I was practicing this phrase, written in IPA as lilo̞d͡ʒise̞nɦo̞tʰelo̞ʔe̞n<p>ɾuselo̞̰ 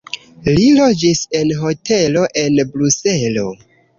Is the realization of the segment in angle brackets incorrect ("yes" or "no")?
yes